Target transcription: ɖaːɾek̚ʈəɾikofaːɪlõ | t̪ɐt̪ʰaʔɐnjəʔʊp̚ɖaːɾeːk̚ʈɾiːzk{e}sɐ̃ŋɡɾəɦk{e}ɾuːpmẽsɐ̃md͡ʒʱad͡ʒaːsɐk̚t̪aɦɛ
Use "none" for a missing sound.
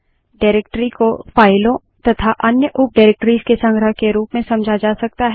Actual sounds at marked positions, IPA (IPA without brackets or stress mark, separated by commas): e, e